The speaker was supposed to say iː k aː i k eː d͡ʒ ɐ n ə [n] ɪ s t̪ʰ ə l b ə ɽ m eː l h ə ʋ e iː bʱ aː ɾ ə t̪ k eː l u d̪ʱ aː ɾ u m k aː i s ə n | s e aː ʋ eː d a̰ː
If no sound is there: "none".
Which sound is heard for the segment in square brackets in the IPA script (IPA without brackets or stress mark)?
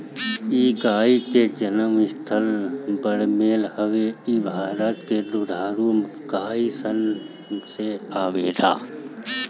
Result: m